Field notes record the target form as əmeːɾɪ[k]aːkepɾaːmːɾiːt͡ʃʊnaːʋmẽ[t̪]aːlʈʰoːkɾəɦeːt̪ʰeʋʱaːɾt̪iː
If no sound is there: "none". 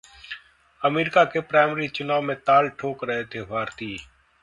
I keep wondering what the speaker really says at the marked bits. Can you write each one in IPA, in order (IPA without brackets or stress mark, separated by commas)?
k, t̪